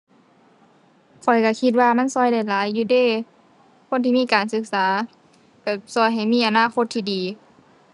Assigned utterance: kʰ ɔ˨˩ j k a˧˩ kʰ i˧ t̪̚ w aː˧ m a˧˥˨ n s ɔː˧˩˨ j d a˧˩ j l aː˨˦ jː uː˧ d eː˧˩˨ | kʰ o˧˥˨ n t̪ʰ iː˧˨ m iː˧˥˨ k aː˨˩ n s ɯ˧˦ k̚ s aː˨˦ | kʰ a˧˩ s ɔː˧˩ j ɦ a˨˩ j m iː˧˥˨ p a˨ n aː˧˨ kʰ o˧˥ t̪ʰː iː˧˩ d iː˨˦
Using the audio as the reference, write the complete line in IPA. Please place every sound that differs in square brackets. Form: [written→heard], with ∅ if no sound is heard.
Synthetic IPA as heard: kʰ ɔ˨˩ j k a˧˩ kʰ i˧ t̪̚ w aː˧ m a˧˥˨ n s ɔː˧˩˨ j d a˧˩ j l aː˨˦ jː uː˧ d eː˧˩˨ | kʰ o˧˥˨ n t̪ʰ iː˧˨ m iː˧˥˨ k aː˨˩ n s ɯ˧˦ k̚ s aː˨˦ | [kʰ→k] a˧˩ s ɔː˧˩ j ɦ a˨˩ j m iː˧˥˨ [p→ʔ] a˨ n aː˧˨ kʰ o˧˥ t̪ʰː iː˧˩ d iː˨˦